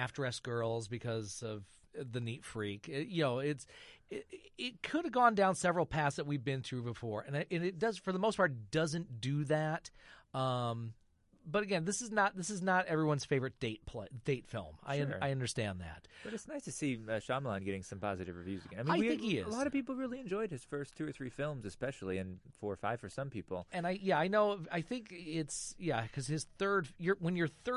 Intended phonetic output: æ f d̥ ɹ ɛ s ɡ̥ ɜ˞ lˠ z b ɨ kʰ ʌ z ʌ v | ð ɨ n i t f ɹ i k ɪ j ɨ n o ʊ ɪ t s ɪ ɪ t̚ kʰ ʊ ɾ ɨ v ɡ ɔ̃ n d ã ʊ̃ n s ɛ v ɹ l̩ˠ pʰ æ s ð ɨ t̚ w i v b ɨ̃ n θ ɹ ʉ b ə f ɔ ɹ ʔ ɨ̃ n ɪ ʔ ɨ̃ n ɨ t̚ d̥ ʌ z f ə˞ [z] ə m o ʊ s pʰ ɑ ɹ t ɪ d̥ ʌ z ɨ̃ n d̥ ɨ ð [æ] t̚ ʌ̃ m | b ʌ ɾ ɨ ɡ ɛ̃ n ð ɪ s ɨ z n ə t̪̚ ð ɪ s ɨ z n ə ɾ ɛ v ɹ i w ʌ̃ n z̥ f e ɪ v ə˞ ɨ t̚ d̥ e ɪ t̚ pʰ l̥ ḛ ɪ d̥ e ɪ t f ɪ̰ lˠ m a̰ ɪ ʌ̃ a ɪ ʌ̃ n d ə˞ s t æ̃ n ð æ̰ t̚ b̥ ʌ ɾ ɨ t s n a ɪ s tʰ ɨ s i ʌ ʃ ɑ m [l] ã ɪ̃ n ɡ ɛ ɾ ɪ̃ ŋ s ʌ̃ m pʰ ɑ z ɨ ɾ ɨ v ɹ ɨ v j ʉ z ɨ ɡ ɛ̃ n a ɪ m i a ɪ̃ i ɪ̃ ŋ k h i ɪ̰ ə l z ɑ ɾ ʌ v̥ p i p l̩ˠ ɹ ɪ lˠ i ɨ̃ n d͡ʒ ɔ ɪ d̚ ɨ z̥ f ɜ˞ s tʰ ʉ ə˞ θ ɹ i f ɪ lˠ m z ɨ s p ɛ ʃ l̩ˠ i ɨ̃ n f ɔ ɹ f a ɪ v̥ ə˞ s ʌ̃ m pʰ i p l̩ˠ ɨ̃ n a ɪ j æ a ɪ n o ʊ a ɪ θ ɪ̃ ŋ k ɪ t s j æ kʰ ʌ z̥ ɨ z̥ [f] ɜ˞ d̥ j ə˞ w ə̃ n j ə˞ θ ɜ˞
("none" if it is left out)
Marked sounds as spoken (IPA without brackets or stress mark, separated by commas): ð, æ, l, θ